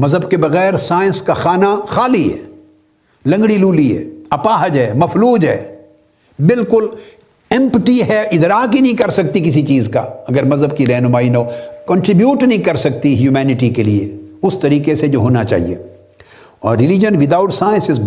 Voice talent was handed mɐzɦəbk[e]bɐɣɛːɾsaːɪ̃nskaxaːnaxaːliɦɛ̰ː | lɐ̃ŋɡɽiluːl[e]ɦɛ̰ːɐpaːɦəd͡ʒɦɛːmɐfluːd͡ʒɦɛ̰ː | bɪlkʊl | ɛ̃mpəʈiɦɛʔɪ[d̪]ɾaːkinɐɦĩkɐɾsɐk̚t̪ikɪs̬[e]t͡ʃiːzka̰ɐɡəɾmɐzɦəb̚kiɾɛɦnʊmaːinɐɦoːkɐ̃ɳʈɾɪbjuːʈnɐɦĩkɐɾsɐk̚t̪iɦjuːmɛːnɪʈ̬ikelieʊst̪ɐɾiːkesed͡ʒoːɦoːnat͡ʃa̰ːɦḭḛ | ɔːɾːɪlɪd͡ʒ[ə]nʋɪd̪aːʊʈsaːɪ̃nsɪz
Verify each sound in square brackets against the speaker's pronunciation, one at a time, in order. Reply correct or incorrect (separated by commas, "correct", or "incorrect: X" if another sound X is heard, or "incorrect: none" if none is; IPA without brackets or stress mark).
correct, incorrect: i, correct, incorrect: i, correct